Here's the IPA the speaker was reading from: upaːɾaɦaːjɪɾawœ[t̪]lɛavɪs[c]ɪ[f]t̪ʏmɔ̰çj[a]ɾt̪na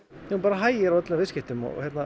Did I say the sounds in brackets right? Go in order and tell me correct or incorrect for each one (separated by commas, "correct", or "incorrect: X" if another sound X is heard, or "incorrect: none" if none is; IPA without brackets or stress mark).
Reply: correct, correct, incorrect: h, incorrect: ɛ